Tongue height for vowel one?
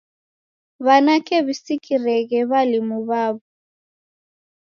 low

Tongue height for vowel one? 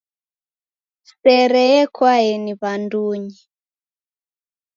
mid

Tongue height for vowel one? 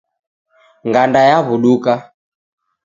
low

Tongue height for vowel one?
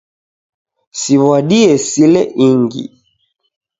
high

